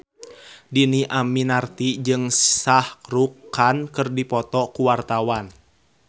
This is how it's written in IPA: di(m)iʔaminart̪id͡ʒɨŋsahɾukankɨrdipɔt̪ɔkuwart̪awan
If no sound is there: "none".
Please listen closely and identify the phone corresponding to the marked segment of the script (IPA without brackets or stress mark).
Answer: n